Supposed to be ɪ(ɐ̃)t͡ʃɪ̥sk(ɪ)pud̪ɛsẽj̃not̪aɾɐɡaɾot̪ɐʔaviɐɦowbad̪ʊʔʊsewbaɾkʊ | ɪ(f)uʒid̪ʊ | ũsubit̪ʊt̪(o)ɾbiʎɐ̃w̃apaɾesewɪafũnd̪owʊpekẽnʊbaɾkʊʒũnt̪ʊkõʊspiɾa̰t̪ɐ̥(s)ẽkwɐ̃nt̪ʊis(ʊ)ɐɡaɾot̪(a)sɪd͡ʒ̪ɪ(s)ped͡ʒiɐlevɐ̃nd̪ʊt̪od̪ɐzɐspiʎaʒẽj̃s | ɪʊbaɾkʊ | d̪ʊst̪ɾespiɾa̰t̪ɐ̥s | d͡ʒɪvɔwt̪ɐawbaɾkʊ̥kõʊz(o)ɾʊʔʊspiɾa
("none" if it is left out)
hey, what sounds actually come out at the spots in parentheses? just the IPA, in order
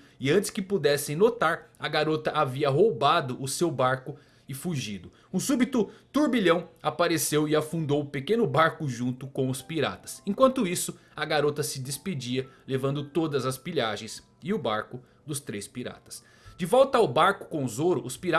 ɐ̃, ɪ, f, u, s, ʊ, ɐ, s, o

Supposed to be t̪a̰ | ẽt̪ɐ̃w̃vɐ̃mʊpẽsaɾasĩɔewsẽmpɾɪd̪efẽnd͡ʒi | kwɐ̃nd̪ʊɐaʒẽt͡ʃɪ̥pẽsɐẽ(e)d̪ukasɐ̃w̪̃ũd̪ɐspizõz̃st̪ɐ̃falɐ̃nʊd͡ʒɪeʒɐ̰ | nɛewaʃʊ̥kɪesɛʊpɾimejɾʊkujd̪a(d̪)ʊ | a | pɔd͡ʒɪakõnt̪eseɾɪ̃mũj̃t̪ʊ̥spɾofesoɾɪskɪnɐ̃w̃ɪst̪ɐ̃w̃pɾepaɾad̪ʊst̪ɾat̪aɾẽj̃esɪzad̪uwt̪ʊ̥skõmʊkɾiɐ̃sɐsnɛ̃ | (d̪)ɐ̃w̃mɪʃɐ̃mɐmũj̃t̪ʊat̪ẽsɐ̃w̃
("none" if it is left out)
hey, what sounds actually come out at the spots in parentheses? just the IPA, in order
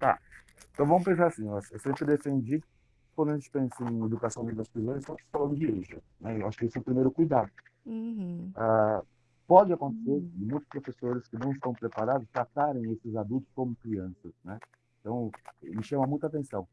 e, d̪, t̪

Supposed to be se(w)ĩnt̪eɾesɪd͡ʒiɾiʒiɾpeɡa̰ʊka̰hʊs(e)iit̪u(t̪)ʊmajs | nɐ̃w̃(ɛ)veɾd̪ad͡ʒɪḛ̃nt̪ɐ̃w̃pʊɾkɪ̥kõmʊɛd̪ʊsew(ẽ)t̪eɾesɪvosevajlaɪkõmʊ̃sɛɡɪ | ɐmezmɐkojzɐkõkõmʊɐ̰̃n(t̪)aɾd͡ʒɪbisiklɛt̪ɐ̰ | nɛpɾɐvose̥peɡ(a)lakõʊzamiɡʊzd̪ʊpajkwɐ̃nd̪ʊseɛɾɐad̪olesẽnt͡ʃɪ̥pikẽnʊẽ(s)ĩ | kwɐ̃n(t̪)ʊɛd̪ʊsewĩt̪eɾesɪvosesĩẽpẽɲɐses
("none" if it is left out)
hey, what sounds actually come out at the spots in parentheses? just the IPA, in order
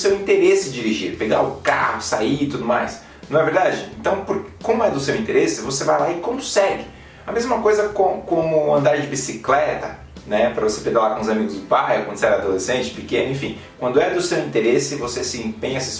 w, a, d̪, ɛ, ĩ, d̪, a, f, d̪

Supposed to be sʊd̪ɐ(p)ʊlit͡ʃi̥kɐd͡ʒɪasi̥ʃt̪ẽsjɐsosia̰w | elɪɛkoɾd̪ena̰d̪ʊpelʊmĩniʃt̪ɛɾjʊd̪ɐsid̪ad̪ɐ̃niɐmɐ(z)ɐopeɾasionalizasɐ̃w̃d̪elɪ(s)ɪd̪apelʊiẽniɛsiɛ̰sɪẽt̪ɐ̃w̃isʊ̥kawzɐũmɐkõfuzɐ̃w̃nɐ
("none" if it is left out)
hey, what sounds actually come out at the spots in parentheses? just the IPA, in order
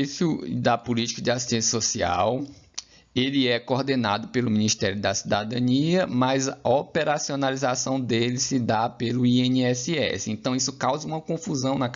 p, z, s

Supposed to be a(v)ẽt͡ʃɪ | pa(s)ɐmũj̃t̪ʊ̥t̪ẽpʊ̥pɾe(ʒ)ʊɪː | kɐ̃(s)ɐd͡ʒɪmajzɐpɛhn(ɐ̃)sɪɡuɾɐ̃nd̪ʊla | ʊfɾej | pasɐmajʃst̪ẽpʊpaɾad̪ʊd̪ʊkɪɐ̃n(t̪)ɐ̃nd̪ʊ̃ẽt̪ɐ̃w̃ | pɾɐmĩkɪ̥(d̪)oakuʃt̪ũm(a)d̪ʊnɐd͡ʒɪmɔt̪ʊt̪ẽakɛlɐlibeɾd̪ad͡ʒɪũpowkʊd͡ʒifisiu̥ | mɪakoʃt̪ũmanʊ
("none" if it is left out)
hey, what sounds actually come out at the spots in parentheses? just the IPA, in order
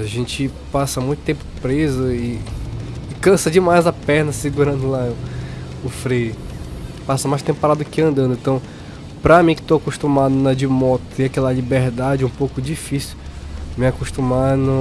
ʒ, s, z, s, ɐ, d̪, t̪, a

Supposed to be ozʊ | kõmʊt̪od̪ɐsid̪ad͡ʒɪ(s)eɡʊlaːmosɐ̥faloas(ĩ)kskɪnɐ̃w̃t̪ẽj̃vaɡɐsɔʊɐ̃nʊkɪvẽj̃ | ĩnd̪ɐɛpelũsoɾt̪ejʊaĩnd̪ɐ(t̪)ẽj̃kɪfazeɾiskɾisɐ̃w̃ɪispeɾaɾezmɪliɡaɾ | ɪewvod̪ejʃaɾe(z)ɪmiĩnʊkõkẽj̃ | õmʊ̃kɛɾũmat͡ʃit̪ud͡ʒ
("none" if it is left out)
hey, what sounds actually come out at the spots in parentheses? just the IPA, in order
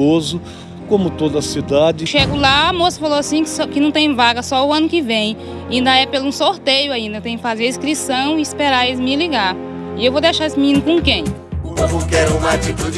ʃ, ĩ, t̪, s

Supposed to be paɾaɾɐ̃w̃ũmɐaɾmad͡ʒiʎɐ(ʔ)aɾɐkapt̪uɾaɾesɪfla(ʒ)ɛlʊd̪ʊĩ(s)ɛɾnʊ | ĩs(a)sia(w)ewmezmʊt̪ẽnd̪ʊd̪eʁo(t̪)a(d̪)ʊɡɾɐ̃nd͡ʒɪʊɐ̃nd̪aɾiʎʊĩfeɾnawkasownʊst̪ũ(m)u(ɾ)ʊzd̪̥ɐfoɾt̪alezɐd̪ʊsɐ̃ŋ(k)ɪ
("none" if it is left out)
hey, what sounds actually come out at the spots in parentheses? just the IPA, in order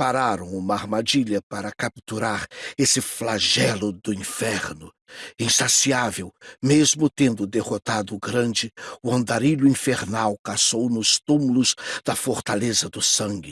p, ʒ, f, a, v, t̪, d̪, m, l, ɡ

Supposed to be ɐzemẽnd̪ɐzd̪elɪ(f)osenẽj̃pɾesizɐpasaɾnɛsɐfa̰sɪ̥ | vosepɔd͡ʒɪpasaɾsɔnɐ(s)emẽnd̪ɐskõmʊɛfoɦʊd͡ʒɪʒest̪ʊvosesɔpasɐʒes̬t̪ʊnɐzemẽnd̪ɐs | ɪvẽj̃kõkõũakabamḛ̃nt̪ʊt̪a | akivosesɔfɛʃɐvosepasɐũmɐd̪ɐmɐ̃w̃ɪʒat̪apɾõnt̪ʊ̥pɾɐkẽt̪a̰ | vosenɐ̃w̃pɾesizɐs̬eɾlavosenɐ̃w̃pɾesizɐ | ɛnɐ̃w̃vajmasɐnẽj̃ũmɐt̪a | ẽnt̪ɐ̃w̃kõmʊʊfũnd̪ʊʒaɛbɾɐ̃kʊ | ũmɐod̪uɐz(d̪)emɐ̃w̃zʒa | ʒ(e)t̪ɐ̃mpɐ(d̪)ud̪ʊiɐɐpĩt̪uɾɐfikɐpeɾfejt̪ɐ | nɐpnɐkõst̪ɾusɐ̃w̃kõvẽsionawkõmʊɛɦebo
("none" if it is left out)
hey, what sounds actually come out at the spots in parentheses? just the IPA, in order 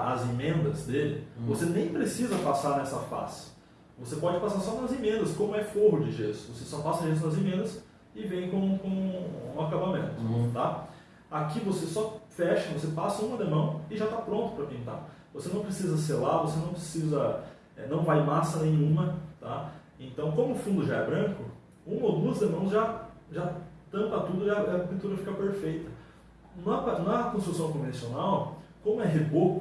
v, z, d̪, a, t̪

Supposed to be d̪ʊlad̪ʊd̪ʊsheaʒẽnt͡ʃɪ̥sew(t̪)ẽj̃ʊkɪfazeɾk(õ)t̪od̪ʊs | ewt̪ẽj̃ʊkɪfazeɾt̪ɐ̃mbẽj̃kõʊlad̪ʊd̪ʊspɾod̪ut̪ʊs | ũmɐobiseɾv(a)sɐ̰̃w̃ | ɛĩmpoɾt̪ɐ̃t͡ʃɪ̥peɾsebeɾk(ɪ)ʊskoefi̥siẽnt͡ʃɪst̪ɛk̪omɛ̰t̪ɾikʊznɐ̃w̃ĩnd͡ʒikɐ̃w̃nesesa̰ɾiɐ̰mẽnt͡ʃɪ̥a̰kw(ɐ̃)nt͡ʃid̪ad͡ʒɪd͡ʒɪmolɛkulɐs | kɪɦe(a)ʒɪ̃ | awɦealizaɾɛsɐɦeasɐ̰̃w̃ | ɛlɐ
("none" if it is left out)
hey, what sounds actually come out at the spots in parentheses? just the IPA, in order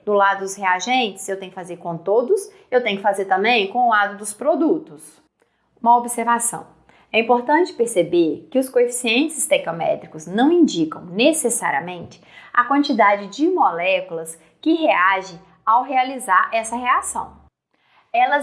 t̪, õ, a, ɪ, ɐ̃, a

